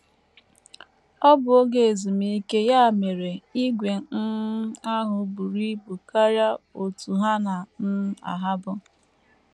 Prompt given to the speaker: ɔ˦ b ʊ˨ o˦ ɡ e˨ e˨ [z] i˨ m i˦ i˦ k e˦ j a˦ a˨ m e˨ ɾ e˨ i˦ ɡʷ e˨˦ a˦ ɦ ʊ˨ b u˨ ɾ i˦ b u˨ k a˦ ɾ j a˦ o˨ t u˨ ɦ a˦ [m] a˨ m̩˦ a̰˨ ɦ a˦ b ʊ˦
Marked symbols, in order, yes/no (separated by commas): yes, no